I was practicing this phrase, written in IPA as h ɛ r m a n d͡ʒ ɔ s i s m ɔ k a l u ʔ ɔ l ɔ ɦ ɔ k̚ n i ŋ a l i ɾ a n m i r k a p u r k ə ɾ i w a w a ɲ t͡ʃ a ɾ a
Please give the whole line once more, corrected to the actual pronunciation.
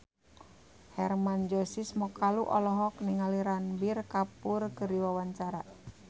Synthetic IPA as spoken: h ɛ r m a n d͡ʒ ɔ s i s m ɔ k a l u ʔ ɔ l ɔ ɦ ɔ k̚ n i ŋ a l i ɾ a n b i r k a p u r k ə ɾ i w a w a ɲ t͡ʃ a ɾ a